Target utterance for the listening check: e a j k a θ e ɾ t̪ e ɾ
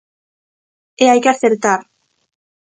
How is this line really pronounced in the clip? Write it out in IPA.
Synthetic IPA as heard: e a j k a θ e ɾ t̪ a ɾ